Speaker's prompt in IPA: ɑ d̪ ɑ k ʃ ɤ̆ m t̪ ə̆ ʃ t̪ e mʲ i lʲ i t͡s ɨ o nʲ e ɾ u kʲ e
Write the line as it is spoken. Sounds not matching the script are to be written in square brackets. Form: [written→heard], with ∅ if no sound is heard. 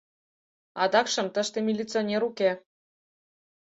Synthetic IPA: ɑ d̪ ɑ k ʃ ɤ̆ m t̪ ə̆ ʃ t̪ e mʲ i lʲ i t͡s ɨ o nʲ e ɾ u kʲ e